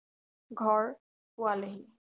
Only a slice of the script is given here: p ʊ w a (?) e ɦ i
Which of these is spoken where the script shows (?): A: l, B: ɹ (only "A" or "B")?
A